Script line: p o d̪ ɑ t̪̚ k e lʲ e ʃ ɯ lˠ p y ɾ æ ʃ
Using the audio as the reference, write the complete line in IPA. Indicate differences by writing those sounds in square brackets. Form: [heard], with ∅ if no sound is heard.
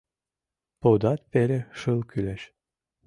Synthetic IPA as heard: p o d̪ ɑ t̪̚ [p] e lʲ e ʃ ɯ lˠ [k] y [l] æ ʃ